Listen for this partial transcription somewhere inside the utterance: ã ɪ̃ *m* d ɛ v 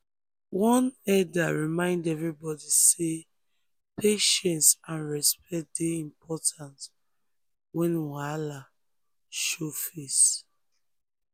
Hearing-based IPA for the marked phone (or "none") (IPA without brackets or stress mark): n